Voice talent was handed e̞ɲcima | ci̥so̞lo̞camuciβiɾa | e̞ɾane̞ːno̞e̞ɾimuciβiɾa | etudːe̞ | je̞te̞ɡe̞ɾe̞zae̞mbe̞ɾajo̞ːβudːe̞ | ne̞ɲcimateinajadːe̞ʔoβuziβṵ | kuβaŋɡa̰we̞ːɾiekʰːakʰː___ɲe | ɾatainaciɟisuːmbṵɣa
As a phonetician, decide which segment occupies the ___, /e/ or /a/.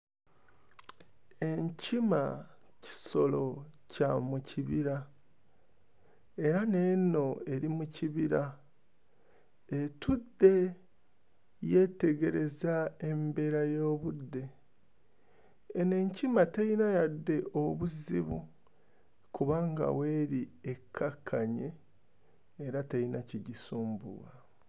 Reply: a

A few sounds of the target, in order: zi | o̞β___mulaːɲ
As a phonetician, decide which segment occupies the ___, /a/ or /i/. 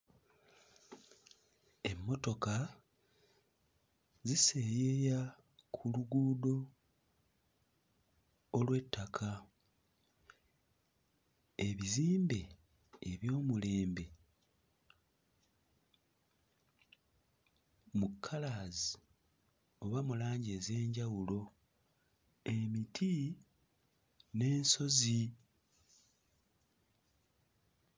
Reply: a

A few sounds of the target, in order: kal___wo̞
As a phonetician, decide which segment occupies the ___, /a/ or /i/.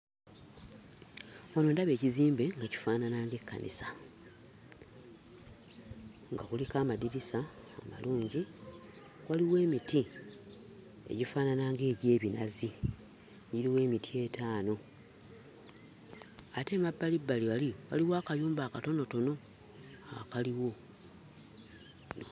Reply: i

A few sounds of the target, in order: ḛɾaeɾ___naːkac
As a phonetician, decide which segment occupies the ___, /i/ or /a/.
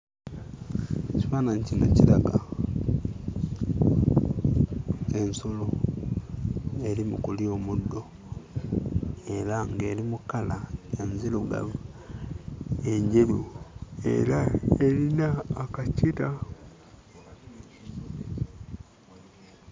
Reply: i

